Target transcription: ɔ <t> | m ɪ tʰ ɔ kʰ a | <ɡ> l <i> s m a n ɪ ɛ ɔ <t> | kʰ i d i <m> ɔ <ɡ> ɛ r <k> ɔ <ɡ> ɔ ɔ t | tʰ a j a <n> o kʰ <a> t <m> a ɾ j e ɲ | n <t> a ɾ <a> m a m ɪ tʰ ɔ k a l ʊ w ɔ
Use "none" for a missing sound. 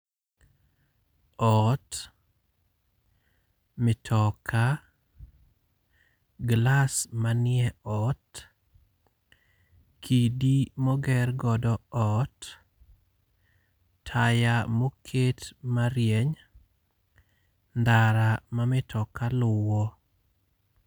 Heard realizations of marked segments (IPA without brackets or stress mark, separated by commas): t, ɡ, a, t, m, ɡ, ɡ, d, m, e, m, d, a